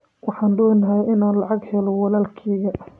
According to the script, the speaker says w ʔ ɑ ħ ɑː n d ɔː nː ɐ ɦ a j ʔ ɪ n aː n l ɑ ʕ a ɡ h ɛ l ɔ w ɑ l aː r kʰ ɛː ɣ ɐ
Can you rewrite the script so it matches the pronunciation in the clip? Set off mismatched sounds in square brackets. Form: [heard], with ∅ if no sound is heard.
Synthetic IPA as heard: w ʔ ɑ ħ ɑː n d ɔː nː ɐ ɦ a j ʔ ɪ n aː n l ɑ ʕ [ɑ] ɡ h ɛ l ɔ w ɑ l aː [l] kʰ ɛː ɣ ɐ